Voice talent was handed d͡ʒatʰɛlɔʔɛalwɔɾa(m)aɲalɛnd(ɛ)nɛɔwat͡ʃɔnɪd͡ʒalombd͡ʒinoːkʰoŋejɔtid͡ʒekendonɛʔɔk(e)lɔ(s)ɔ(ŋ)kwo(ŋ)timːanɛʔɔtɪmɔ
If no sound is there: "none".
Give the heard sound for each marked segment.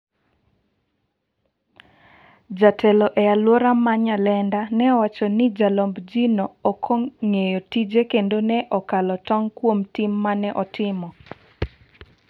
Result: m, a, a, t, ŋ, m

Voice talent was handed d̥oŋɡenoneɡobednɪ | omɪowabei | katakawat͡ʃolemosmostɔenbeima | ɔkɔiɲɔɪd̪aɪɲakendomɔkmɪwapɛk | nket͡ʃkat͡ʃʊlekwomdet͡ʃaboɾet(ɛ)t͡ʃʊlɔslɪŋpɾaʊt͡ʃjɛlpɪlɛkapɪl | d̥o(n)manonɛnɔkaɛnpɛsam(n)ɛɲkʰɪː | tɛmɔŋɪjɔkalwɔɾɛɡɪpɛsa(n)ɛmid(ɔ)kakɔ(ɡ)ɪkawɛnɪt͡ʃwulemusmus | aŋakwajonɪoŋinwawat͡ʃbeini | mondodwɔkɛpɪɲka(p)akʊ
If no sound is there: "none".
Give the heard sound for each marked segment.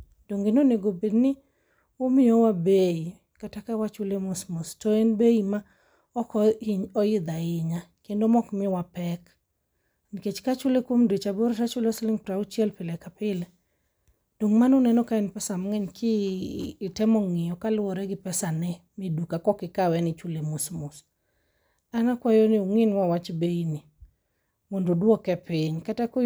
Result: a, ŋ, ŋ, n, u, k, t

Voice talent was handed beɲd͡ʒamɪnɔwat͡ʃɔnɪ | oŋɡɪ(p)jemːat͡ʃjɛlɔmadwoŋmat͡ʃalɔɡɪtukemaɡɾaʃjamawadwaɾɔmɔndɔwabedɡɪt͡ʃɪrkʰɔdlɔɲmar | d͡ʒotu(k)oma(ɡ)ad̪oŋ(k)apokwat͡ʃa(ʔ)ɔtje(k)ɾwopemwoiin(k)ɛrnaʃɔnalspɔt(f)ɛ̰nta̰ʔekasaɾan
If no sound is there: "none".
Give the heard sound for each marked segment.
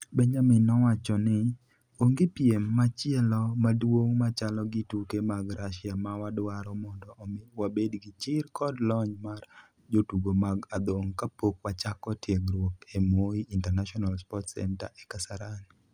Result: p, ɡ, ɡ, k, k, ɡ, t, s

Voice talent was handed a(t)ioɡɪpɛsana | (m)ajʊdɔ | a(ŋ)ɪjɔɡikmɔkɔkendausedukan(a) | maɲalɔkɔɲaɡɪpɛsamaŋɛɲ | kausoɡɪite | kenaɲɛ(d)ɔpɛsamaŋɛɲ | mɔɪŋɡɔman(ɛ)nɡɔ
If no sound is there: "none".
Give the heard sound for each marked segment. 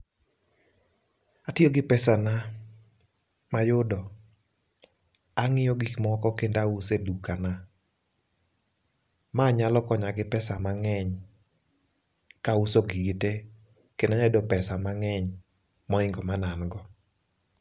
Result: t, m, ŋ, a, d, a

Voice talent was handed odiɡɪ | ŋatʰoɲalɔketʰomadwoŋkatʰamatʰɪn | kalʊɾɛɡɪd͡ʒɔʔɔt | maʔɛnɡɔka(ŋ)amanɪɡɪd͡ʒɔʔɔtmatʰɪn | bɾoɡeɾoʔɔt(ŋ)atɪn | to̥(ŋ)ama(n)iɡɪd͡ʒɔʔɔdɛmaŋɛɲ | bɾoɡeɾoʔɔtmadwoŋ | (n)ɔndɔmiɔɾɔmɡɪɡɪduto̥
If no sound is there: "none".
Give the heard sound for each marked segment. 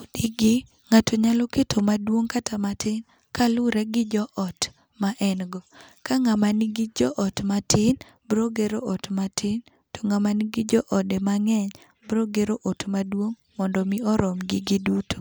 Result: ŋ, m, ŋ, n, m

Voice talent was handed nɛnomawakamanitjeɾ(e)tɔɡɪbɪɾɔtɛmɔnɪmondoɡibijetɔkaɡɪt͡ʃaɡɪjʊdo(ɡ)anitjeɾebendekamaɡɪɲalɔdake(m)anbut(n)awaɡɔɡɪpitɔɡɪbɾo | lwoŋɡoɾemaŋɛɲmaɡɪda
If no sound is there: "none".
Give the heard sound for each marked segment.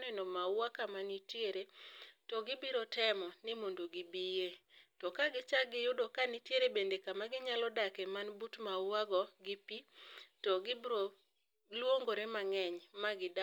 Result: e, k, m, m

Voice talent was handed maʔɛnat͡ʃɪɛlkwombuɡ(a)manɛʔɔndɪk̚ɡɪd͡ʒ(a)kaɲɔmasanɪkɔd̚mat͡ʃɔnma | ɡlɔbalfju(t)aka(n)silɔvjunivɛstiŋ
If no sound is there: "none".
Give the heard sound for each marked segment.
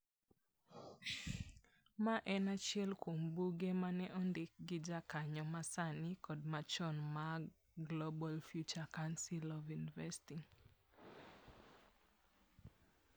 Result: e, a, t͡ʃ, n

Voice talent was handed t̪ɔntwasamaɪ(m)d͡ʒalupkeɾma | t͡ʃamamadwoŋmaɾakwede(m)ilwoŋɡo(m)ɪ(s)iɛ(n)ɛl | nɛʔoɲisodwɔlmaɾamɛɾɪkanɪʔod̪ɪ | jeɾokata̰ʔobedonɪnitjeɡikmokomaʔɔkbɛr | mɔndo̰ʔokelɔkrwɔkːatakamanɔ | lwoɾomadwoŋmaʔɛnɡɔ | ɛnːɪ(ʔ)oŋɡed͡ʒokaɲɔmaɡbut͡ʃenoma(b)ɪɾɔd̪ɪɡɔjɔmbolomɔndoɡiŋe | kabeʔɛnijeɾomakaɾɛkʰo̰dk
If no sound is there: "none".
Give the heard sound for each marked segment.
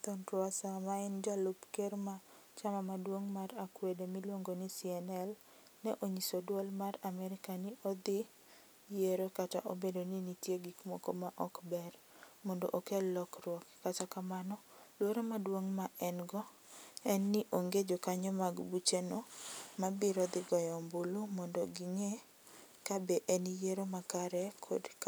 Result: n, m, n, s, n, ʔ, b

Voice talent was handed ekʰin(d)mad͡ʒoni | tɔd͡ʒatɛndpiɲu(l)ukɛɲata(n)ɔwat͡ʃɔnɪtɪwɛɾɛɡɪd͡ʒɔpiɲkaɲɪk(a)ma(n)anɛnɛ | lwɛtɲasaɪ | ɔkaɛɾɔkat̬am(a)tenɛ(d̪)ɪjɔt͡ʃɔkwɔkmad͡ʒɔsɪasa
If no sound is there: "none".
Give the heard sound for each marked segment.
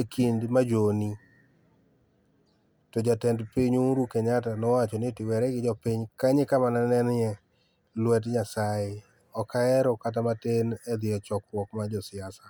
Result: d, ɾ, n, a, n, a, d̪

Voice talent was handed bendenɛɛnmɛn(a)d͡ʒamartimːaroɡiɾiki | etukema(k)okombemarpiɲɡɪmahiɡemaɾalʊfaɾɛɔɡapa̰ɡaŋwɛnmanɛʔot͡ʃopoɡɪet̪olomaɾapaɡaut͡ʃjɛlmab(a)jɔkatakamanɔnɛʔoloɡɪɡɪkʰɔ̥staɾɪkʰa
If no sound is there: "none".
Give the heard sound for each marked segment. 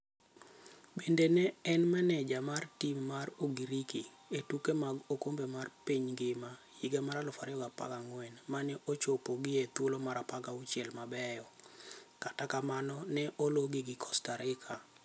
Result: ɛ, ɡ, ɛ

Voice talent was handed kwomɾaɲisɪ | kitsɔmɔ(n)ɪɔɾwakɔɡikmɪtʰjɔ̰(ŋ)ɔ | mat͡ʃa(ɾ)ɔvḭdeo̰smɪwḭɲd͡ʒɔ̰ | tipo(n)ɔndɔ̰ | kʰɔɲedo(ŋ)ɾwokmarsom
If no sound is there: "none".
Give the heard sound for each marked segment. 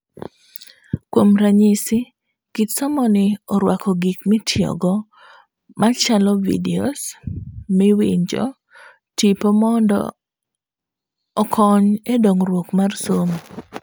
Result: n, ɡ, l, m, ŋ

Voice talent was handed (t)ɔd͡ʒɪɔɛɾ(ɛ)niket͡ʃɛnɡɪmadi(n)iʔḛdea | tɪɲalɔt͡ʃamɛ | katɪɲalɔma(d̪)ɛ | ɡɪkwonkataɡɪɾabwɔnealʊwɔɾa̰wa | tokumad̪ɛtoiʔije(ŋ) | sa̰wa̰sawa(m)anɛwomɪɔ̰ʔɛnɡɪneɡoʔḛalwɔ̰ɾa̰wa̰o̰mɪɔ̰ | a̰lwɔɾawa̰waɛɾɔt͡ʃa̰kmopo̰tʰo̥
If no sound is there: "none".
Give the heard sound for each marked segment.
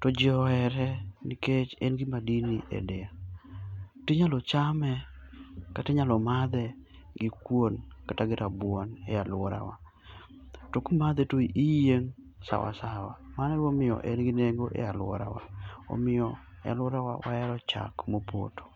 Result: t, ɛ, n, d̪, ŋ, m

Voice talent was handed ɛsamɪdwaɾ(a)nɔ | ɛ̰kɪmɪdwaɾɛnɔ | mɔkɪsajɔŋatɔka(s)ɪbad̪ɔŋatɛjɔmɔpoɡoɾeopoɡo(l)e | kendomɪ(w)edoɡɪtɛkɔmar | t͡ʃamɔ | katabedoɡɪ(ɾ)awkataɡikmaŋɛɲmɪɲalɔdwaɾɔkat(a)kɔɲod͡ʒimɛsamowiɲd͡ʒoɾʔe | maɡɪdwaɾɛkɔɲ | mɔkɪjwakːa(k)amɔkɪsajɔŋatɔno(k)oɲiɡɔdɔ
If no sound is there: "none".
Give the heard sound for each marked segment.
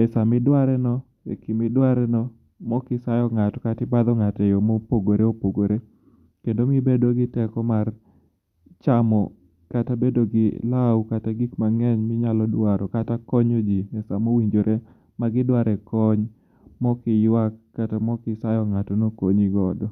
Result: ɛ, t, ɾ, b, l, a, t, k

